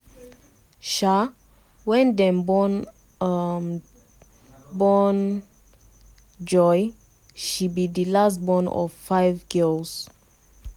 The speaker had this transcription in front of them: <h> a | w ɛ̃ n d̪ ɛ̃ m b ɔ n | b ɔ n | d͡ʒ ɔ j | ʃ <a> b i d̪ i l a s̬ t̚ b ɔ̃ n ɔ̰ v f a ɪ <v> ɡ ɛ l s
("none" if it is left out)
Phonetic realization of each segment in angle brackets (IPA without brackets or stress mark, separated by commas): ʃ, i, v